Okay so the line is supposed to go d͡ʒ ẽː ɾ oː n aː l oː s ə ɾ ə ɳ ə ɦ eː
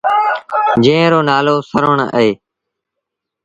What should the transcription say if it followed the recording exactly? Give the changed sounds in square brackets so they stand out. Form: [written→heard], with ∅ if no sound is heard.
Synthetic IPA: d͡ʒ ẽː ɾ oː n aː l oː s ə ɾ ə ɳ ə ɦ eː